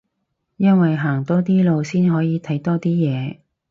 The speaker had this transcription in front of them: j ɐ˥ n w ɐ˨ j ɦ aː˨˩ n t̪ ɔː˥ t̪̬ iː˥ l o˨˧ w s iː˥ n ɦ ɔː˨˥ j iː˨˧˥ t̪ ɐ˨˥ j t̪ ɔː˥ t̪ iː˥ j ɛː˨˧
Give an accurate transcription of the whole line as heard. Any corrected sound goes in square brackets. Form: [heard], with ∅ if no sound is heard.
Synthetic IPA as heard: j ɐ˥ n w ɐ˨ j ɦ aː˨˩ [ŋ] t̪ ɔː˥ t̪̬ iː˥ l o˨˧ w s iː˥ n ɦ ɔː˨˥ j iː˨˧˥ [t̪ʰ] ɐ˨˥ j t̪ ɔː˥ t̪ iː˥ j ɛː˨˧